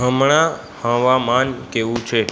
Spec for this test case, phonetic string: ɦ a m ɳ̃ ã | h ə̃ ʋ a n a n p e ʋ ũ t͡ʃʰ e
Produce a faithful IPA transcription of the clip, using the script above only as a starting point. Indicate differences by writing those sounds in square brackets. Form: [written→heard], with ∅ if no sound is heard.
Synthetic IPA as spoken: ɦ [a→ə] m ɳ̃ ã | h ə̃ ʋ a [n→m] a n [p→k] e ʋ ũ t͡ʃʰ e